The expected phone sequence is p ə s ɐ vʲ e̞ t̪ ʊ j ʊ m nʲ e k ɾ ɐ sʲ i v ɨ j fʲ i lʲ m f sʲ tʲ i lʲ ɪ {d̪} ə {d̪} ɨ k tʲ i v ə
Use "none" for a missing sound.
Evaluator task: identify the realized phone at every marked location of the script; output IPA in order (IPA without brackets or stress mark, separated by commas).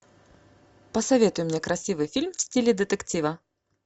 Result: d̪, t̪